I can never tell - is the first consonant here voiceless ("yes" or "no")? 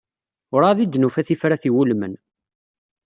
no